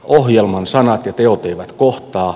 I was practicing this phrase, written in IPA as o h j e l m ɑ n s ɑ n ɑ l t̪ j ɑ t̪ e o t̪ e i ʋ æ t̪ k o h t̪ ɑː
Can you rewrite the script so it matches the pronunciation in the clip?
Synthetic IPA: o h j e l m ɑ n s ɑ n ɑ t̪ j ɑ t̪ e o t̪ e i ʋ æ t̪ k o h t̪ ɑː